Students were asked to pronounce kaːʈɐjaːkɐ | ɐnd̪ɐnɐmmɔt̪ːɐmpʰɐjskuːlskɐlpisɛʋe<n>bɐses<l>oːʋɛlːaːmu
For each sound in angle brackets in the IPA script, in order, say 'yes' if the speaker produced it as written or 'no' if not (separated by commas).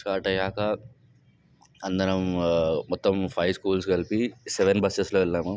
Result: yes, yes